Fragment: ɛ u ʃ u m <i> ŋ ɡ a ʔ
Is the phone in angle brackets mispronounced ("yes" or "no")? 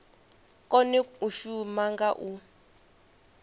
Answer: yes